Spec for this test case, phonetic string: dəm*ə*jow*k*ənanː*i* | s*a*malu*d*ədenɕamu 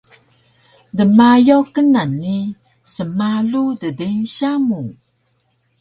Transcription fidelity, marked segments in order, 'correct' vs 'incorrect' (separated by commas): incorrect, correct, correct, incorrect, correct